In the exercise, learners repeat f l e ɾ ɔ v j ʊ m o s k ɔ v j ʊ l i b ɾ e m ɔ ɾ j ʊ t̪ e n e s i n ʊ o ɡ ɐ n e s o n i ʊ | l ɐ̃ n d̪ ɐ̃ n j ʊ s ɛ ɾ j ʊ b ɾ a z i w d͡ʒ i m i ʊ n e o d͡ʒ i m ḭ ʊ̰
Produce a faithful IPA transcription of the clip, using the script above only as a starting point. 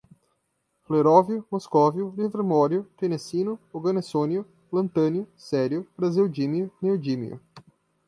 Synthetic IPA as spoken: f l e ɾ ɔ v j ʊ m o s k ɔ v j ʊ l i v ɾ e m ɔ ɾ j ʊ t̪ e n e s i n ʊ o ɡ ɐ n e s o n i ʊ | l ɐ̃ n t̪ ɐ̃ n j ʊ s ɛ ɾ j ʊ b ɾ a z i w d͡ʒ i m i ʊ n e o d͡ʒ i m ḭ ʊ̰

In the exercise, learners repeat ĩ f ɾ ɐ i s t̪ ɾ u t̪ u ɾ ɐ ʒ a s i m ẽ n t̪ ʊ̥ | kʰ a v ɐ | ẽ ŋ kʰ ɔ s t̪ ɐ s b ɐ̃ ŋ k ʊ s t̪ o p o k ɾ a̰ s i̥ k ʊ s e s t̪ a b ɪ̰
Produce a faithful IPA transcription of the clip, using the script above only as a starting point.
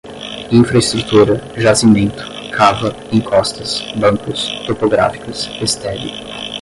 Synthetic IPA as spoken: ĩ f ɾ ɐ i s t̪ ɾ u t̪ u ɾ ɐ ʒ a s i m ẽ n t̪ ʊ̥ | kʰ a v ɐ | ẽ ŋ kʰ ɔ s t̪ ɐ s b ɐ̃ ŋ k ʊ s t̪ o p o ɡ ɾ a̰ f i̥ k ʊ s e s t̪ ɛ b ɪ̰

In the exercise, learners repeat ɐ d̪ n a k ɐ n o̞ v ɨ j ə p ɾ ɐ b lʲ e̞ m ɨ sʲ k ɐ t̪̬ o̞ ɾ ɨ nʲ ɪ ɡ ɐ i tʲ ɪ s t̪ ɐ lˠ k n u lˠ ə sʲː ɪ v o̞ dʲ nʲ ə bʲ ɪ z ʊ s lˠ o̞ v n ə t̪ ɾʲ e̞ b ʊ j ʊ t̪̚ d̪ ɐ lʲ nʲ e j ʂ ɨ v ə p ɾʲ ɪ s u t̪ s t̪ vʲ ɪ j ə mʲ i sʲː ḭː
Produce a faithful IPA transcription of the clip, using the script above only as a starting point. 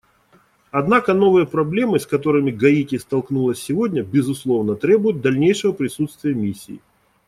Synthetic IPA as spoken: ɐ d̪ n a k ə n o̞ v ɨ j ə p ɾ ɐ b lʲ e̞ m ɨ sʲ k ɐ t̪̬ o̞ ɾ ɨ mʲ ɪ ɡ ɐ i tʲ ɪ s t̪ ɐ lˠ k n u lˠ ə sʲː ɪ v o̞ dʲ nʲ ə bʲ ɪ z ʊ s lˠ o̞ v n ə t̪ ɾʲ e̞ b ʊ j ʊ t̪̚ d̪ ɐ lʲ nʲ e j ʂ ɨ v ə p ɾʲ ɪ s u t̪ s t̪ vʲ ɪ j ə mʲ i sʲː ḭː

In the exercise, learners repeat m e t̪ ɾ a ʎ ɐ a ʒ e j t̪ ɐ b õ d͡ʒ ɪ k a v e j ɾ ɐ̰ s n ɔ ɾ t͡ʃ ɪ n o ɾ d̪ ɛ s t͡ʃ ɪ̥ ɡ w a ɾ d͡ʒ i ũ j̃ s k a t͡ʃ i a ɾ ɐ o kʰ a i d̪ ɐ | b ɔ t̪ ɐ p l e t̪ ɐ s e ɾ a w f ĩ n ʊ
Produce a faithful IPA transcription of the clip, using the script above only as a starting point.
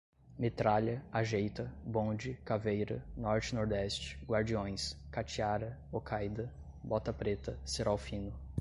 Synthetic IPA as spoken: m e t̪ ɾ a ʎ ɐ a ʒ e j t̪ ɐ b õ d͡ʒ ɪ k a v e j ɾ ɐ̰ n ɔ ɾ t͡ʃ ɪ n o ɾ d̪ ɛ s t͡ʃ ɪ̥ ɡ w a ɾ d͡ʒ i õ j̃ s k a t͡ʃ i a ɾ ɐ o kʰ a j d̪ ɐ | b ɔ t̪ ɐ p ɾ e t̪ ɐ s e ɾ a w f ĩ n ʊ

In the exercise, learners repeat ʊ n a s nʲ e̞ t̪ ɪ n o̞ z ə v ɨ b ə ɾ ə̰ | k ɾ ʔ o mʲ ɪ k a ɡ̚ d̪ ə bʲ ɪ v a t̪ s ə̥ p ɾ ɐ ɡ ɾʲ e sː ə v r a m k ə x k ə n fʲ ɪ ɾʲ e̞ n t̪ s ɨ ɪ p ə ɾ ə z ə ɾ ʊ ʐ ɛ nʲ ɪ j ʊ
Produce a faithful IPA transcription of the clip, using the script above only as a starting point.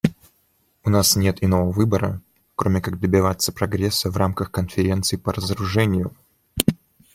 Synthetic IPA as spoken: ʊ n a s nʲ e̞ t̪ ɪ n o̞ v ə v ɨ b ə ɾ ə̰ | k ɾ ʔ o mʲ ɪ k a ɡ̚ d̪ ə bʲ ɪ v a t̪ s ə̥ p ɾ ɐ ɡ ɾʲ e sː ə v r a m k ə x k ə n fʲ ɪ ɾʲ e̞ n t̪ s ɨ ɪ p ə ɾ ə z ə ɾ ʊ ʐ ɛ nʲ ɪ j ʊ

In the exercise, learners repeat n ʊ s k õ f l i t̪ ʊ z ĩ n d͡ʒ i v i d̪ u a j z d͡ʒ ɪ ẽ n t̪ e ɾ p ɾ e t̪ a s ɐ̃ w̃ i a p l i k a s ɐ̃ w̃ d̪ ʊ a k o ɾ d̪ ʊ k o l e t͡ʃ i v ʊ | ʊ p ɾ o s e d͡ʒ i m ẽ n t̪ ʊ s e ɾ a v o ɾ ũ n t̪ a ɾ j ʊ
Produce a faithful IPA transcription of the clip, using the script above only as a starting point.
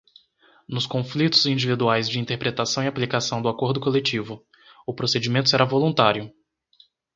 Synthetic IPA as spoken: n ʊ s k õ f l i t̪ ʊ z ĩ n d͡ʒ i v i d̪ u a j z d͡ʒ ɪ ĩ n t̪ e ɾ p ɾ e t̪ a s ɐ̃ w̃ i a p l i k a s ɐ̃ w̃ d̪ ʊ a k o ɾ d̪ ʊ k o l e t͡ʃ i v ʊ | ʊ p ɾ o s e d͡ʒ i m ẽ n t̪ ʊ s e ɾ a v o l ũ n t̪ a ɾ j ʊ

